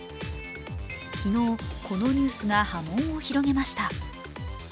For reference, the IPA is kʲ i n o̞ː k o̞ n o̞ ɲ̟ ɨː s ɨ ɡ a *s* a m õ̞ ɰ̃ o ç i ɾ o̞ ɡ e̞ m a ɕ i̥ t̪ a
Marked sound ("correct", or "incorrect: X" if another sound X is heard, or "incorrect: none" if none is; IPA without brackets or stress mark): incorrect: h